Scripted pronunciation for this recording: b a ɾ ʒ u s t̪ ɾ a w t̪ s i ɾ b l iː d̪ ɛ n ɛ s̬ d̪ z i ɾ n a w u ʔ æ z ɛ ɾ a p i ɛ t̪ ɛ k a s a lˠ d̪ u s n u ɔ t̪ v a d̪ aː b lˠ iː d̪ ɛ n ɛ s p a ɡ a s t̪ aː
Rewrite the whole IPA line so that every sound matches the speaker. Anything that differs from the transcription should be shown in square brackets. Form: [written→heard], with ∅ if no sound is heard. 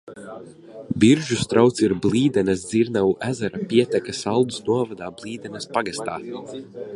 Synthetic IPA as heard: b [a→i] ɾ ʒ u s t̪ ɾ a w t̪ s i ɾ b l iː d̪ ɛ n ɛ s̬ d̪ z i ɾ n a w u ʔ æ z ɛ ɾ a p i ɛ t̪ ɛ k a s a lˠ d̪ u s n u ɔ [t̪→∅] v a d̪ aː b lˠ iː d̪ ɛ n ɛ s p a ɡ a s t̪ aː